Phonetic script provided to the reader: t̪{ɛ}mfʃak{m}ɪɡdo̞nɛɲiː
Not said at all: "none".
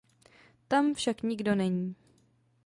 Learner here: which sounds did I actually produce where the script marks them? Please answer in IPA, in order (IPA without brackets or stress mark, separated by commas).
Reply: a, ɲ